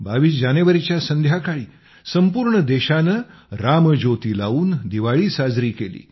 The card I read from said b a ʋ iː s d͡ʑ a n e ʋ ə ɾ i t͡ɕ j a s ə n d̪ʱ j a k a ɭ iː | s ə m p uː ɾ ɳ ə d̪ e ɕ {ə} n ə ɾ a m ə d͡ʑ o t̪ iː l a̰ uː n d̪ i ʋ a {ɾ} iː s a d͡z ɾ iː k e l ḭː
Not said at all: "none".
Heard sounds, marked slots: a, ɭ

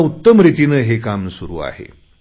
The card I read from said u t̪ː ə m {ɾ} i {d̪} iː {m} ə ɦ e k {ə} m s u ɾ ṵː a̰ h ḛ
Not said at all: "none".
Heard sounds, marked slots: ɾ, t̪, n, a

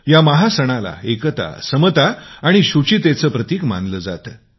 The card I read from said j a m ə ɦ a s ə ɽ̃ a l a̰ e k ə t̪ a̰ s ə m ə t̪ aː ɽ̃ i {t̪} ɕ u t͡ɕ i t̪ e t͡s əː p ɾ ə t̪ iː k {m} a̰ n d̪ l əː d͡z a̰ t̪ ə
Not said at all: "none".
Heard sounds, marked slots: none, m

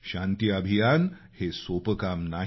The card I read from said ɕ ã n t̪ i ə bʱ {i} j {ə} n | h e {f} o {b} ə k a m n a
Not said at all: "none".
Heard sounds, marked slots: i, a, s, p

